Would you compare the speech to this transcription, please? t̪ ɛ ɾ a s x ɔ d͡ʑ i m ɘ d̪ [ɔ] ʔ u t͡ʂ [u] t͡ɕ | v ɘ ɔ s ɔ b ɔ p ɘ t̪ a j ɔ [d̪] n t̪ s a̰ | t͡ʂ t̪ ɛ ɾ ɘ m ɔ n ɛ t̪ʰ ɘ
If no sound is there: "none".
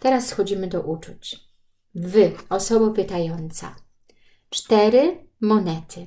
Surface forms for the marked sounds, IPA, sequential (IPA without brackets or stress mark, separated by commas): ɔ, u, none